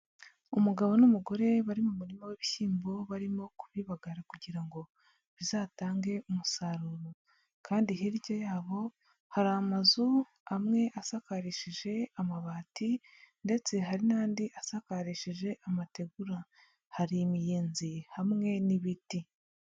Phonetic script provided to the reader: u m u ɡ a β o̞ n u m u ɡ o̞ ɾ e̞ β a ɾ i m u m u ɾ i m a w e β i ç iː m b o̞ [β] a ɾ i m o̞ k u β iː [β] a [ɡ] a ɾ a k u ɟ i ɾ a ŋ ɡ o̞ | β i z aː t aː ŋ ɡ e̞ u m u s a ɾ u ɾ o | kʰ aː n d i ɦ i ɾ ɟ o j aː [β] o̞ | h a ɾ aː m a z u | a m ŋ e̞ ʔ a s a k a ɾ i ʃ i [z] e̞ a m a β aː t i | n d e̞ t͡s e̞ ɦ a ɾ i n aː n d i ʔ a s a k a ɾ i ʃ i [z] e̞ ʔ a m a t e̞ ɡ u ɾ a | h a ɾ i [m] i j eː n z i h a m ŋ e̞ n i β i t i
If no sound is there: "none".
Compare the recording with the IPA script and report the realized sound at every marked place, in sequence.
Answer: β, β, ɡ, β, ʒ, ʒ, m

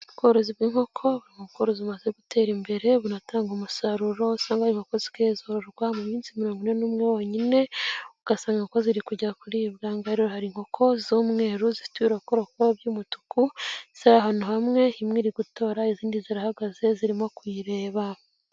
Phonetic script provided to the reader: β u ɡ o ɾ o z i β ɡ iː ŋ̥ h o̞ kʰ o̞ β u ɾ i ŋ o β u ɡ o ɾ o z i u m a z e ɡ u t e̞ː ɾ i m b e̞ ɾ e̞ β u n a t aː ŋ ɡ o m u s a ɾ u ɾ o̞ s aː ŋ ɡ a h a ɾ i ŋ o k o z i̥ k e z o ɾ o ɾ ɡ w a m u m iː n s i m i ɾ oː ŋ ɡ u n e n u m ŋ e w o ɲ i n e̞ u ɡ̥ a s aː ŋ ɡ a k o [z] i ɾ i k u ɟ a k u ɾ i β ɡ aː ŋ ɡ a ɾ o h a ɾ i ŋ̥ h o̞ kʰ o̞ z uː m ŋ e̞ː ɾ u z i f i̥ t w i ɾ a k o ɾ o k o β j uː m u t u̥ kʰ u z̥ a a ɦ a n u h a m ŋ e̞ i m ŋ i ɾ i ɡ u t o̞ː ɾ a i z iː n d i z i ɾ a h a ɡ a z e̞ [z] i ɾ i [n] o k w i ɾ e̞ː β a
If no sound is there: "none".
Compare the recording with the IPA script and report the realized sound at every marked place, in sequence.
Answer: z, z, m

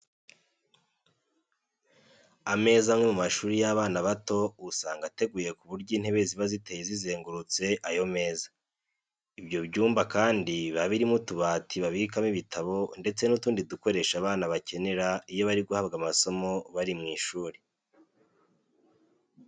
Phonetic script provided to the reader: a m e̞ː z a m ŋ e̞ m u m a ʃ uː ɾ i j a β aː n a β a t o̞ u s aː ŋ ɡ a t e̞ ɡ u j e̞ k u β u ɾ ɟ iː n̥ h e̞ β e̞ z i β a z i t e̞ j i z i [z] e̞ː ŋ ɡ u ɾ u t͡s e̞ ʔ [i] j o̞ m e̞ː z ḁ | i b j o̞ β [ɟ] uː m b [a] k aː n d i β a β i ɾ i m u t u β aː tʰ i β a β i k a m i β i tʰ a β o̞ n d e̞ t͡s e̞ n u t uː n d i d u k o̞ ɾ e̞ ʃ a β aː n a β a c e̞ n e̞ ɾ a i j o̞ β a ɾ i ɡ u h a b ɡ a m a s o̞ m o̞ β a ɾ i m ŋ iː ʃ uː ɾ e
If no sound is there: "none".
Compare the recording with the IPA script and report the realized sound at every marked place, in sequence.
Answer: z, a, ɟ, a

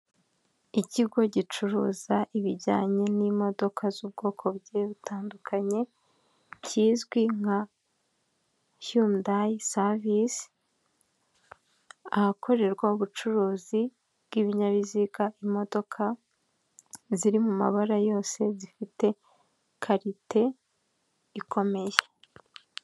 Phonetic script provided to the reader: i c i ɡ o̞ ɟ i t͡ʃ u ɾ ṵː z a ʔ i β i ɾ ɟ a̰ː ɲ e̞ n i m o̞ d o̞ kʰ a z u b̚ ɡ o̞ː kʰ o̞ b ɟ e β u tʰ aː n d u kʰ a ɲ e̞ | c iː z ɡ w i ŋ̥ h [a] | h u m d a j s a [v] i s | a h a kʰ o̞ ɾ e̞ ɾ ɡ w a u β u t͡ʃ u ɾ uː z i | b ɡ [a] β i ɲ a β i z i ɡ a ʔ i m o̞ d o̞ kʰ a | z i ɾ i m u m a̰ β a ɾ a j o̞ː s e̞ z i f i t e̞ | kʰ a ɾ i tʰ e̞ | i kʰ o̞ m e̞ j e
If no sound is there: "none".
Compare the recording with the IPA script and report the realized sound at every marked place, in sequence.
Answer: a, v, i

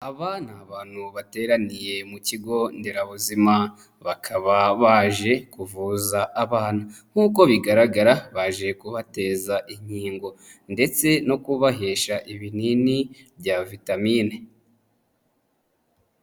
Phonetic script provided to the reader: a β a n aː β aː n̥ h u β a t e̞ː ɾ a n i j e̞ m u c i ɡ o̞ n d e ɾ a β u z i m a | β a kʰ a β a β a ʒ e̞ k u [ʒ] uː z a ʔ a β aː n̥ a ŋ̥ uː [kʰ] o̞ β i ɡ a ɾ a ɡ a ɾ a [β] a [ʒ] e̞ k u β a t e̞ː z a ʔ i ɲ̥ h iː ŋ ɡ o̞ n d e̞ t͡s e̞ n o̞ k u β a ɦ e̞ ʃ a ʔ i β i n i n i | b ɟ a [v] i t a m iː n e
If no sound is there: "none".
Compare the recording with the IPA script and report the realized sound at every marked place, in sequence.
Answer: v, k, β, ʒ, v

